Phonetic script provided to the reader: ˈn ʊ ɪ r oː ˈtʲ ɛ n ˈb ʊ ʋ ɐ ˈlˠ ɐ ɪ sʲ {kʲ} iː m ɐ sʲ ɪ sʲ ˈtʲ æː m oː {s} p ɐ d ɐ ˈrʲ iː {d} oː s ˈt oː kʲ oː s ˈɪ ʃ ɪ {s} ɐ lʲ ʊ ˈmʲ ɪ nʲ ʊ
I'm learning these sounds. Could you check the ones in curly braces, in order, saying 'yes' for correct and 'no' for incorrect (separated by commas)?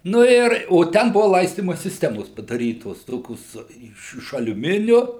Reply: no, yes, no, no